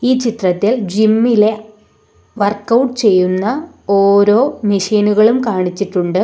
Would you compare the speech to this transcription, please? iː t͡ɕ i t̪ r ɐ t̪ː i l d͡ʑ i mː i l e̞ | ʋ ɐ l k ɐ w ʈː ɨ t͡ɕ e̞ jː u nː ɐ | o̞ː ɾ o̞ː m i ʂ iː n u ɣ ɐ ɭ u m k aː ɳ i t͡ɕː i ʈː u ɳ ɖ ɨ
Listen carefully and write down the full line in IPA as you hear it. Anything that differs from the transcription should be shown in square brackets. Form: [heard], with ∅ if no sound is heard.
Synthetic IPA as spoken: iː t͡ɕ i t̪ r ɐ t̪ː i l d͡ʑ i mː i l e̞ | ʋ ɐ [r] k ɐ w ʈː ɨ t͡ɕ e̞ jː u nː ɐ | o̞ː ɾ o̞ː m i ʂ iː n u ɣ ɐ ɭ u m k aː ɳ i t͡ɕː i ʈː u ɳ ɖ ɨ